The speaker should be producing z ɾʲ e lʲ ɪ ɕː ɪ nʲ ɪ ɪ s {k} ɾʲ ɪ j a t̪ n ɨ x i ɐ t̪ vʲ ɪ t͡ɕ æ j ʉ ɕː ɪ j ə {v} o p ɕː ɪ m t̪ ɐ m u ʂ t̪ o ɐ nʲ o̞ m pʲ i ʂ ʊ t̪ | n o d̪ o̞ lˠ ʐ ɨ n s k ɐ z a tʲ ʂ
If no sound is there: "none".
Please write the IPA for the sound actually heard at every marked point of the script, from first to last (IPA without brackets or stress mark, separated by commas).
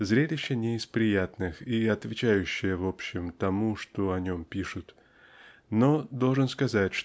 p, v